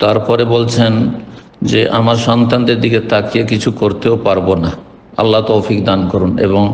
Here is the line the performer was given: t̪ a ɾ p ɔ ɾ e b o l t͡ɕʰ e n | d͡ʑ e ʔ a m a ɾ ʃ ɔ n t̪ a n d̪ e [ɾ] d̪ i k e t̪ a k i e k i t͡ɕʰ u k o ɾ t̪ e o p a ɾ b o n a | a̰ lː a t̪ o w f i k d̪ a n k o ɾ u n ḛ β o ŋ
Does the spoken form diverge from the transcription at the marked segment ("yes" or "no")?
no